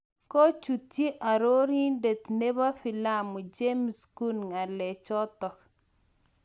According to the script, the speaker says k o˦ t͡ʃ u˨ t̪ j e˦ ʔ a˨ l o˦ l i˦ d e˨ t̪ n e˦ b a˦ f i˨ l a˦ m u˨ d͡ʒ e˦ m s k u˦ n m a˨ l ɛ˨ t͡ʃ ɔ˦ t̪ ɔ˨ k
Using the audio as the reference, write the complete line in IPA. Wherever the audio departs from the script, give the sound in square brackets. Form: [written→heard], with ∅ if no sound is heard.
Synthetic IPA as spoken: k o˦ t͡ʃ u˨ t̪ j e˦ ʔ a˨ [l→ɾ] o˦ [l→ɾ] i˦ d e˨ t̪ n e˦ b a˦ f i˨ l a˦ m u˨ d͡ʒ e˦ m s k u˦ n [m→ŋ] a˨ l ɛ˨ t͡ʃ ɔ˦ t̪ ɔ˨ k